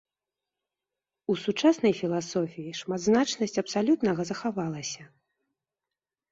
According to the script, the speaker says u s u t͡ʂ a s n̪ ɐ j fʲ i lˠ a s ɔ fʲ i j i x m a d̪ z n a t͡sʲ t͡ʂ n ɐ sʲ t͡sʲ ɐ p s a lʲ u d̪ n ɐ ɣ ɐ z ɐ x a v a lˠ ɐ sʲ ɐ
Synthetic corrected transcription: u s u t͡ʂ a s n̪ ɐ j fʲ i lˠ a s ɔ fʲ i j i ʂ m a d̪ z n a t͡ʂ n ɐ sʲ t͡sʲ ɐ p s a lʲ u t̪ n ɐ ɣ ɐ z ɐ x a v a lˠ ɐ sʲ ɐ